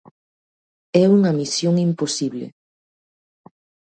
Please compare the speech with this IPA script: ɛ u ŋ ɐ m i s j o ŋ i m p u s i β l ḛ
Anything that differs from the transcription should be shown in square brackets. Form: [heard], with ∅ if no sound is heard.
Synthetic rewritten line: ɛ u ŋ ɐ m i s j o ŋ i m p [o] s i β l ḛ